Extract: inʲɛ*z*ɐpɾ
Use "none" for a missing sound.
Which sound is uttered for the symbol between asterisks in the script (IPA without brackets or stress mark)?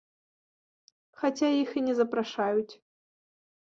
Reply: z